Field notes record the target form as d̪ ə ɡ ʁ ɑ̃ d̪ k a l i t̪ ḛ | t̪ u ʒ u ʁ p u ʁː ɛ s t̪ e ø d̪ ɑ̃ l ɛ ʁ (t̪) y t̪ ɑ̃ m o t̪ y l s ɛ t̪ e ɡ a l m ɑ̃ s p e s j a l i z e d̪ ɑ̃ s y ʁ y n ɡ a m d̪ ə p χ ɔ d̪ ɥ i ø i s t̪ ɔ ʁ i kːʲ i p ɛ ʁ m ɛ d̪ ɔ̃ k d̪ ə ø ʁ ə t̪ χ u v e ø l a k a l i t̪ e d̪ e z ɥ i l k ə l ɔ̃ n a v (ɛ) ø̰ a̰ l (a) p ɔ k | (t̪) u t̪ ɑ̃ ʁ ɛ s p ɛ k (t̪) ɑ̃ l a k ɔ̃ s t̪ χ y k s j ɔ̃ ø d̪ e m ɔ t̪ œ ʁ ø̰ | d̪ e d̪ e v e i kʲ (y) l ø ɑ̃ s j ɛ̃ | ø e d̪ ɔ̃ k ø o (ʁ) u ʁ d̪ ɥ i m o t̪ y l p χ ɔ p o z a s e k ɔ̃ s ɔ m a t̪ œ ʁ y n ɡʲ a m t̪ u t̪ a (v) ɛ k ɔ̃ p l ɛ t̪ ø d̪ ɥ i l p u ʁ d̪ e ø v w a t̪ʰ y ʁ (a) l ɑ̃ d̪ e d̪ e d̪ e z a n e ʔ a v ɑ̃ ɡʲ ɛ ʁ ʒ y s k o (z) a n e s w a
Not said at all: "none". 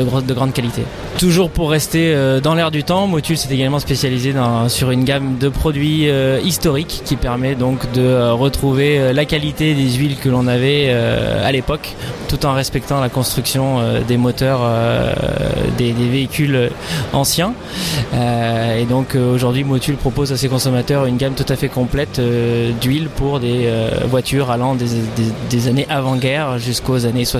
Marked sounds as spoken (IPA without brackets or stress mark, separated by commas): d̪, ɛ, e, t̪, t̪, y, ʒ, f, a, z